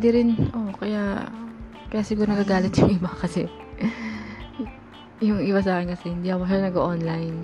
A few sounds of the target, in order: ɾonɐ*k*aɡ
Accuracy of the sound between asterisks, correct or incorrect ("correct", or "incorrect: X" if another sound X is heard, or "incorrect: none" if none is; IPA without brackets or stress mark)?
incorrect: ɡ